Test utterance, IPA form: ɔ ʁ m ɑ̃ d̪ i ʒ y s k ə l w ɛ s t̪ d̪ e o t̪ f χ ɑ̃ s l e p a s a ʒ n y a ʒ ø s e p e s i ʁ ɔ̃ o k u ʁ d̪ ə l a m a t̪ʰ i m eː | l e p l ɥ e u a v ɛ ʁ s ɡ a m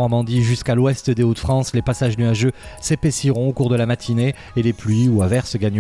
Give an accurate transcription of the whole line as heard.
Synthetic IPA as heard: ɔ ʁ m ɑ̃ d̪ i ʒ y s k a l w ɛ s t̪ d̪ e o t̪ f χ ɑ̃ s l e p a s a ʒ n y a ʒ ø s e p e s i ʁ ɔ̃ o k u ʁ d̪ ə l a m a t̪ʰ i n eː | l e p l ɥ i u a v ɛ ʁ s ɡ a ɲ